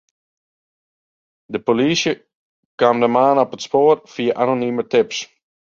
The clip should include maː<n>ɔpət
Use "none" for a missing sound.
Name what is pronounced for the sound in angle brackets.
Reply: n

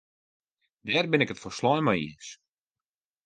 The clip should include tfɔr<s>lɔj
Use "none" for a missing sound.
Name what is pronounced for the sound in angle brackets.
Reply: s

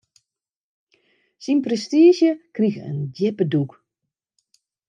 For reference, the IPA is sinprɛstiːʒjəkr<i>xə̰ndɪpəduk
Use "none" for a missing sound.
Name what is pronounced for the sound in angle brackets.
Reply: i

